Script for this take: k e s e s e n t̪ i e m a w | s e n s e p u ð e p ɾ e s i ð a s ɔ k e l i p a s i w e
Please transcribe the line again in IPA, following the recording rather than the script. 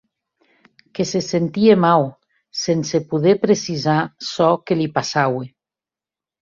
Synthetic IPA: k e s e s e n t̪ i e m a w | s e n s e p u ð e p ɾ e s i z a s ɔ k e l i p a s a w e